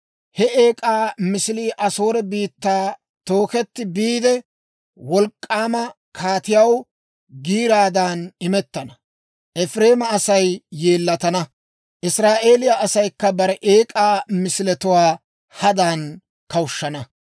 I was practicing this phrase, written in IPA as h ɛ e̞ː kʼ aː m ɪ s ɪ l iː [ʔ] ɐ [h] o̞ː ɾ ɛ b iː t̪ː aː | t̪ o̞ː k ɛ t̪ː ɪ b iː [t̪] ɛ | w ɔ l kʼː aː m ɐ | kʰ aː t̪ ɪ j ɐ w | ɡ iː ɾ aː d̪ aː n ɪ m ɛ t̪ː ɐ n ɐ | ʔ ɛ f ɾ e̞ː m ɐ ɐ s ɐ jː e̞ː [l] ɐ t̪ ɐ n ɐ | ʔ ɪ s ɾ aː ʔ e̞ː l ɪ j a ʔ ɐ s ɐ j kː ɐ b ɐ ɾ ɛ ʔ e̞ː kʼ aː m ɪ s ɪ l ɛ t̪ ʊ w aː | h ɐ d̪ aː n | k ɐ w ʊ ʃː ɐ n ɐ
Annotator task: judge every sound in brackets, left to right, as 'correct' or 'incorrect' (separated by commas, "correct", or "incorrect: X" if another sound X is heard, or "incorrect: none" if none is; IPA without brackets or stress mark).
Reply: correct, incorrect: s, incorrect: d̪, incorrect: lː